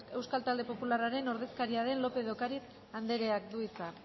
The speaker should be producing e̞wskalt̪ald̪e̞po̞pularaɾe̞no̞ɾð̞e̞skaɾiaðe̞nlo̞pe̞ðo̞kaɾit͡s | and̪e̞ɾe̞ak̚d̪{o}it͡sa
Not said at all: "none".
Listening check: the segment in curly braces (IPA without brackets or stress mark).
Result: u